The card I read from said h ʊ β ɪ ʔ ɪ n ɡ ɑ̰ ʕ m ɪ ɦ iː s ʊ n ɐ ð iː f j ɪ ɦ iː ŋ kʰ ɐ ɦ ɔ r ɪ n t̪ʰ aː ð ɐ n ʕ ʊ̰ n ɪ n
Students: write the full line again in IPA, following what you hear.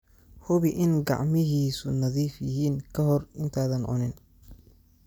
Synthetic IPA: h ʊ β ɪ ʔ ɪ n ɡ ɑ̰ ʕ m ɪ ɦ iː s ʊ n ɐ ð iː f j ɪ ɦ iː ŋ kʰ ɐ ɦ ɔ r ɪ n t̪ʰ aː ð ɐ n ʕ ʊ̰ n ɪ n